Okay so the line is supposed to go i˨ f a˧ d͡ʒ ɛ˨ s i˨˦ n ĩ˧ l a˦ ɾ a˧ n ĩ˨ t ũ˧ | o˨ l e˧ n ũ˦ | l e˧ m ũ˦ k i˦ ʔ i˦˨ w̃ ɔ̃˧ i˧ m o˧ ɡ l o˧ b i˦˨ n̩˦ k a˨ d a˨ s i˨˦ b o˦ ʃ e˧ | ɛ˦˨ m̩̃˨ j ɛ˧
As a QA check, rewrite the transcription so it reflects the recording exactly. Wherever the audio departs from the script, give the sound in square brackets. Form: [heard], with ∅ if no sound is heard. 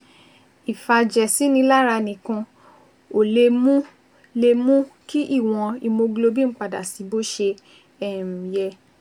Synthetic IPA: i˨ f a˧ d͡ʒ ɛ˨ s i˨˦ n ĩ˧ l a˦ ɾ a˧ n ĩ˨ [k] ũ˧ | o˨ l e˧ [m] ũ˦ | l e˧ m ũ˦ k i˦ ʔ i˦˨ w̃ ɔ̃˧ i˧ m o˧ ɡ l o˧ b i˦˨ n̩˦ [k͡p] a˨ d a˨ s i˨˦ b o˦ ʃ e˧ | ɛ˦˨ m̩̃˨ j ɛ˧